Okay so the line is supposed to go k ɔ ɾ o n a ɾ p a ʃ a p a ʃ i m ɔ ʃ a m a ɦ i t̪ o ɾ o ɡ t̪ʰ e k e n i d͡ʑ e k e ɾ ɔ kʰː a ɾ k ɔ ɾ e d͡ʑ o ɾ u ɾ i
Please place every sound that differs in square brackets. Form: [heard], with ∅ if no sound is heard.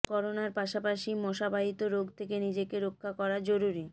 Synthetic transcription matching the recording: k ɔ ɾ o n a ɾ p a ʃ a p a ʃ i m ɔ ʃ a [b] a ɦ i t̪ o ɾ o ɡ t̪ʰ e k e n i d͡ʑ e k e ɾ [o] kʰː a [∅] k ɔ ɾ [a] d͡ʑ o ɾ u ɾ i